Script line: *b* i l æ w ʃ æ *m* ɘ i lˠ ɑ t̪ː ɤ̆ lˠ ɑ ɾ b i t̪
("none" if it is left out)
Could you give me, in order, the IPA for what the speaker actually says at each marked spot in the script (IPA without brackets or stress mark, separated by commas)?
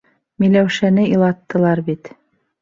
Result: m, n